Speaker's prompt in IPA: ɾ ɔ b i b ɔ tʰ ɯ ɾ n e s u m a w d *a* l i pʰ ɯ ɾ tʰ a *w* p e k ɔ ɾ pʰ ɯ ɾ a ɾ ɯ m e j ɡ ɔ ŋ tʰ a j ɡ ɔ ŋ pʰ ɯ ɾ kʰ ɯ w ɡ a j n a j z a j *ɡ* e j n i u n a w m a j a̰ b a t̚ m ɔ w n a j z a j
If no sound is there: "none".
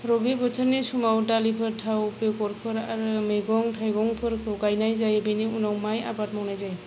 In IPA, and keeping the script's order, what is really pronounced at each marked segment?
a, w, b

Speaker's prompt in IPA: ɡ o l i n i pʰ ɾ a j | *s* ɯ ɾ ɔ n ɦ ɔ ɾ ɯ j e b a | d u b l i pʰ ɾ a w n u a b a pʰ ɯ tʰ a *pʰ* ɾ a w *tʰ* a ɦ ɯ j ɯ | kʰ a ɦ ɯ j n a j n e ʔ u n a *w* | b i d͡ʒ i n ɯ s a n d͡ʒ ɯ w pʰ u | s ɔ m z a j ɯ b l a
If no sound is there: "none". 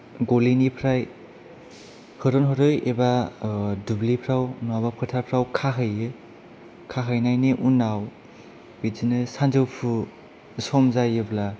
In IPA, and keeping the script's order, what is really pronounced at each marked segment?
h, pʰ, kʰ, w

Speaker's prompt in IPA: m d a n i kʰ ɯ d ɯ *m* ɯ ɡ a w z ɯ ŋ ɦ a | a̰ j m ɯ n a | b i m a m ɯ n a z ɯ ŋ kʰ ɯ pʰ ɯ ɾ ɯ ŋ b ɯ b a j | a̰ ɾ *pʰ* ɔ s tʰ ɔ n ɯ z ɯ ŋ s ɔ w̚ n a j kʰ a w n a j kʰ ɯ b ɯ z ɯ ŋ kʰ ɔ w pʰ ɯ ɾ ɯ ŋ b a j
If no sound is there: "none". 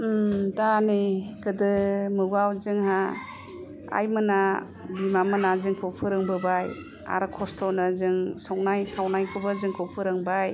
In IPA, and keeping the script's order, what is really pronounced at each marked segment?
m, kʰ

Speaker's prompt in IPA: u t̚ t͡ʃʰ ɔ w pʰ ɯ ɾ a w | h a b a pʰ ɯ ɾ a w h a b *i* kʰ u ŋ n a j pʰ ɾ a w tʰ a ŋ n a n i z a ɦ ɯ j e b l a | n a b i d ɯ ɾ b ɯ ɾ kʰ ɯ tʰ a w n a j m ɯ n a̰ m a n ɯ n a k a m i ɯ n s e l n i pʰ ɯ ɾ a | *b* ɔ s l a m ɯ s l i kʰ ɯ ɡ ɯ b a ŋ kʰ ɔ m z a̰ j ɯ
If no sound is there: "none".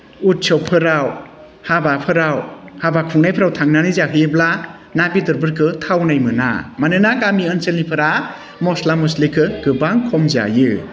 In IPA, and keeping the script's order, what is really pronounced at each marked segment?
a, m

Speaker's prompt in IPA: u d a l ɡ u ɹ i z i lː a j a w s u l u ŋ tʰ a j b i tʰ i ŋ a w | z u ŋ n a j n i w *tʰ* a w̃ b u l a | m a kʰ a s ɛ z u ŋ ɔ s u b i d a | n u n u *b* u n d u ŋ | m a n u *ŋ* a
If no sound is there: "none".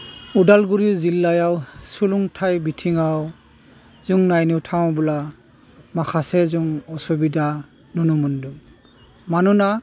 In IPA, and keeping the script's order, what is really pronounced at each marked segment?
tʰ, m, n

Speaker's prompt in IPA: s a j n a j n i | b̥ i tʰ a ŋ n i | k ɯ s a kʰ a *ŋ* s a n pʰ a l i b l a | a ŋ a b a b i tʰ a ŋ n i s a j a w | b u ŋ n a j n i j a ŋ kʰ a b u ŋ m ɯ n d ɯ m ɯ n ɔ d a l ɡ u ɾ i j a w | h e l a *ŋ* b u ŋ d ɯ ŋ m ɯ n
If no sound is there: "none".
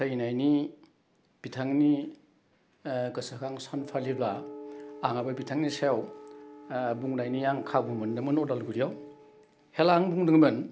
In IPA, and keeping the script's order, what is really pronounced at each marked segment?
ŋ, ŋ

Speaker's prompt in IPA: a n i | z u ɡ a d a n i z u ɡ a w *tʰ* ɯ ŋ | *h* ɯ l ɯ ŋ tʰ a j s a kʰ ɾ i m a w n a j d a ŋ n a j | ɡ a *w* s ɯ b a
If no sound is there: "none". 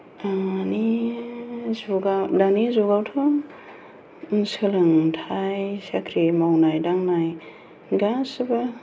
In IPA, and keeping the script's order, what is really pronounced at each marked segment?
tʰ, s, none

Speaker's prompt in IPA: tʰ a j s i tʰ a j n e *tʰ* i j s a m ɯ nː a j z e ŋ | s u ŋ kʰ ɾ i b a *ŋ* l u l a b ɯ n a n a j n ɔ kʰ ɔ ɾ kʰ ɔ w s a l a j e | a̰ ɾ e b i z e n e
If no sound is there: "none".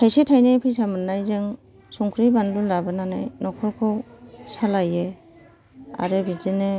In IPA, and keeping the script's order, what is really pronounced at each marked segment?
pʰ, n

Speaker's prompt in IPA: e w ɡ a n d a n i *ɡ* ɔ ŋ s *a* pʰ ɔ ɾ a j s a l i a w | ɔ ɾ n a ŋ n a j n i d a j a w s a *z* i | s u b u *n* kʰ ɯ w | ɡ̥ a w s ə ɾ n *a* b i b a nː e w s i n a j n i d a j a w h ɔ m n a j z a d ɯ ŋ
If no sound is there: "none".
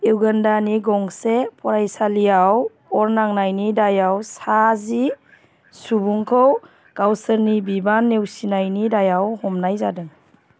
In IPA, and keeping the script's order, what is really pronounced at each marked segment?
ɡ, e, z, ŋ, i

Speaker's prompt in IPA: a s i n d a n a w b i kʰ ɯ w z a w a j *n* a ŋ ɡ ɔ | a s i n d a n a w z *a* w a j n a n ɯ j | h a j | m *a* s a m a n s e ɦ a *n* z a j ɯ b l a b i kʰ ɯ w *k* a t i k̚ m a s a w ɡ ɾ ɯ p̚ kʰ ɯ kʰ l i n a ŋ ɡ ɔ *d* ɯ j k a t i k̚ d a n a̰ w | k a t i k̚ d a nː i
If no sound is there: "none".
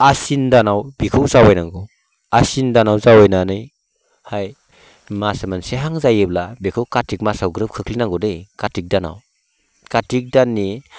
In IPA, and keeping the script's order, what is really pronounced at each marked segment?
n, a, a, ŋ, k, d

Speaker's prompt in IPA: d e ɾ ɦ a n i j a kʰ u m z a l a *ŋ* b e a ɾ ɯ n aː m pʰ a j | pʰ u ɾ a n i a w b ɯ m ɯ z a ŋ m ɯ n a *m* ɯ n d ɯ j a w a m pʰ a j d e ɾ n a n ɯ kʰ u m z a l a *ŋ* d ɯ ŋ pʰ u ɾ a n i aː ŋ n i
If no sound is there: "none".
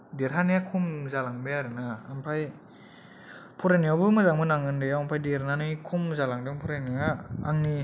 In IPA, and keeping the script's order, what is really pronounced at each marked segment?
ŋ, ŋ, ŋ

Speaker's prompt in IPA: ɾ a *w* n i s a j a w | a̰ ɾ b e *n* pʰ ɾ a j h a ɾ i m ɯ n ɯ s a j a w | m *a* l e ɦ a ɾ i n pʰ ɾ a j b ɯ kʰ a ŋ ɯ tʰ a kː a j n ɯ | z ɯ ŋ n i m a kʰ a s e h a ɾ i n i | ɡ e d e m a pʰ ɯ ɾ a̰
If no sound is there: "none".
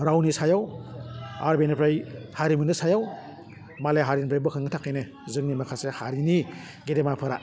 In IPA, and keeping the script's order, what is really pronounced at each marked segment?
w, n, a

